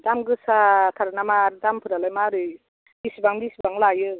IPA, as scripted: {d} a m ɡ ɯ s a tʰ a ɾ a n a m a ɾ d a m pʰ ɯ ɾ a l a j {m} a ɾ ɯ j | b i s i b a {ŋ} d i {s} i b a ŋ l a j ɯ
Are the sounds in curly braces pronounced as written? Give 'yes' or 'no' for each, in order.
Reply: yes, yes, yes, yes

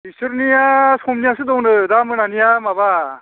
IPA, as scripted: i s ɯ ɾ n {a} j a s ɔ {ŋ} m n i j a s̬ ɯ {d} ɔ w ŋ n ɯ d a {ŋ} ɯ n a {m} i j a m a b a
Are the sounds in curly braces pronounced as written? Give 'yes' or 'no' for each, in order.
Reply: no, no, yes, no, no

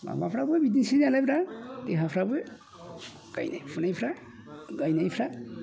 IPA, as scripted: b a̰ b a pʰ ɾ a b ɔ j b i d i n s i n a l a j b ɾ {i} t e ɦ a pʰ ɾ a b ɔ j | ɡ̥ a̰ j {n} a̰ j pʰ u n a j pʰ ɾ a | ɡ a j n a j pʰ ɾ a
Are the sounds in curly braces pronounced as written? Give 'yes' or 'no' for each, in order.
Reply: no, yes

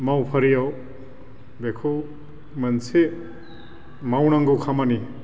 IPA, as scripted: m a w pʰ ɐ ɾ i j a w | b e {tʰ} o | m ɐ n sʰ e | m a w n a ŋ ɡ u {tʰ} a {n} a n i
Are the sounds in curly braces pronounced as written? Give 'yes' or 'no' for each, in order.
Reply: no, no, no

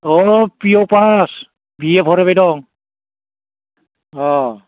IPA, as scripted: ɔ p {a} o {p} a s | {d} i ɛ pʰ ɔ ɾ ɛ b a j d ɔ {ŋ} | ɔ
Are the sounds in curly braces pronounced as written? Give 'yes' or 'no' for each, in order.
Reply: no, yes, no, yes

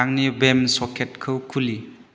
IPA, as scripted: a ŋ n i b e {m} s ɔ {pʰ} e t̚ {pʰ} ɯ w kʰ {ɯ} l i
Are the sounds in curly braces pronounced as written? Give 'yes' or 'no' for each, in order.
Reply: yes, no, no, no

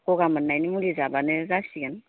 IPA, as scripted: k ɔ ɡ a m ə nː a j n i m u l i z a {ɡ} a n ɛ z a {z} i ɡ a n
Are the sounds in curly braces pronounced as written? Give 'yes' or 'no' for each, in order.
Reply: no, no

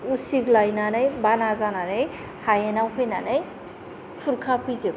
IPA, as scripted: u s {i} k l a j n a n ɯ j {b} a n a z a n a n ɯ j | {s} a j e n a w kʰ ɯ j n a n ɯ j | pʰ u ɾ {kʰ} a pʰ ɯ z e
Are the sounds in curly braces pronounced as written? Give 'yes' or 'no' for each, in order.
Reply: yes, yes, no, yes

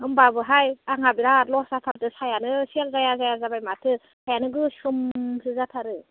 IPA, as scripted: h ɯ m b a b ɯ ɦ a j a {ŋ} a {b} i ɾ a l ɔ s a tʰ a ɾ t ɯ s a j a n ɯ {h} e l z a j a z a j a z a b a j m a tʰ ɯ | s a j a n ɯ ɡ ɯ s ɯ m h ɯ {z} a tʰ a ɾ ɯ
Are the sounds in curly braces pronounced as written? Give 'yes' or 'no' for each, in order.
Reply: yes, yes, no, yes

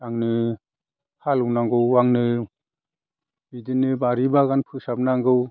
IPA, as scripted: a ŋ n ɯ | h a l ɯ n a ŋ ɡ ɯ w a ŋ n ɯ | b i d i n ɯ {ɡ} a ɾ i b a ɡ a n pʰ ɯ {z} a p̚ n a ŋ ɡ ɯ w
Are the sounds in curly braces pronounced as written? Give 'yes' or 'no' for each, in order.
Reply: no, no

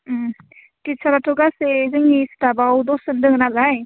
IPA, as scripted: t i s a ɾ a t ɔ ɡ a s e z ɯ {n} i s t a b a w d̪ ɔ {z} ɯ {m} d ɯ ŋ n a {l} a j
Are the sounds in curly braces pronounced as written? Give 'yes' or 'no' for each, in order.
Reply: no, no, no, yes

